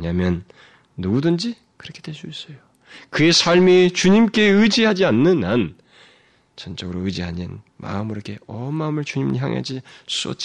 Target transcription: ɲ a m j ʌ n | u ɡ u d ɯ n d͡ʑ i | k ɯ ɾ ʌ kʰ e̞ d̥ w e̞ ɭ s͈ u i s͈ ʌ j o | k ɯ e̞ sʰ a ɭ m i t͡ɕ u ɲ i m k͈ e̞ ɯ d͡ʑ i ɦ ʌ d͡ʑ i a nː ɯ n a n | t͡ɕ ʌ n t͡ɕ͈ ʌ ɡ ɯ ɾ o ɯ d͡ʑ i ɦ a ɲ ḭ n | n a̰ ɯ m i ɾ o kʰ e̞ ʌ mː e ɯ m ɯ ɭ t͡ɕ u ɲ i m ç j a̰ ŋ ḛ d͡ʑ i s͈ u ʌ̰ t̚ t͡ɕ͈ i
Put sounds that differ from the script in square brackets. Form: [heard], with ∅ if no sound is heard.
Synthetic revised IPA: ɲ a m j ʌ [nː] | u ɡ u d ɯ n d͡ʑ i | k ɯ ɾ ʌ kʰ e̞ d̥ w e̞ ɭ s͈ u i s͈ ʌ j o | k ɯ e̞ sʰ a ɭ m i t͡ɕ u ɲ i m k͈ e̞ ɯ d͡ʑ i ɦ [a] d͡ʑ i a nː ɯ n a n | t͡ɕ ʌ n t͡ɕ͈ ʌ ɡ ɯ ɾ o ɯ d͡ʑ i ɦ a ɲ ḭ n | [m] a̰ ɯ m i ɾ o kʰ e̞ ʌ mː [a] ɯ m ɯ ɭ t͡ɕ u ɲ i m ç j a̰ ŋ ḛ d͡ʑ i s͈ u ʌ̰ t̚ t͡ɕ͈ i